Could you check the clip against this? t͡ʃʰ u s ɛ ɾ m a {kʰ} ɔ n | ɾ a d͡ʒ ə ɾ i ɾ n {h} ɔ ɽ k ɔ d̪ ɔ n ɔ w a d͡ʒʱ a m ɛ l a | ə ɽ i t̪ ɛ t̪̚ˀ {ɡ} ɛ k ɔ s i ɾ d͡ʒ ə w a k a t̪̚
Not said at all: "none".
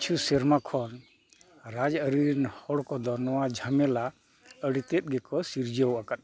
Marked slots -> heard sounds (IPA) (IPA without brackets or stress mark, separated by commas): kʰ, h, ɡ